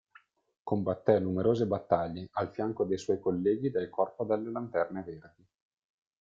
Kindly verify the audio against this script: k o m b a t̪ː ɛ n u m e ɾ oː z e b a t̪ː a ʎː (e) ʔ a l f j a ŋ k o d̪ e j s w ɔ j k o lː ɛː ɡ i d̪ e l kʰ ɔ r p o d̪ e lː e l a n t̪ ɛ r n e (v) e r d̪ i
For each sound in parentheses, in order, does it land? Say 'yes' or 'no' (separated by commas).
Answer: yes, yes